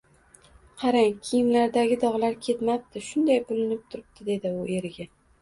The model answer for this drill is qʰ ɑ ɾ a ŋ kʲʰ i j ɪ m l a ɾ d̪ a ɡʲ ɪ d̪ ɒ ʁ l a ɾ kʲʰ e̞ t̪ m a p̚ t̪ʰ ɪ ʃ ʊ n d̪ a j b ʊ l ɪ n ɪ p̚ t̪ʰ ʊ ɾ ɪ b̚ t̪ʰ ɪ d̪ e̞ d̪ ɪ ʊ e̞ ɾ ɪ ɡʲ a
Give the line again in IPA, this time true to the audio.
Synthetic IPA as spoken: qʰ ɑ ɾ a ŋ kʲʰ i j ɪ m l a ɾ d̪ a ɡʲ ɪ d̪ ɒ ʁ l a ɾ kʲʰ e̞ t̪ m a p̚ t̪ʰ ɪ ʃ ʊ n d̪ a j b ʊ l ɪ n ɪ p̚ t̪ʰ ʊ ɾ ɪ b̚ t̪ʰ ɪ d̪ e̞ d̪ ɪ ʊ e̞ ɾ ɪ ɡʲ a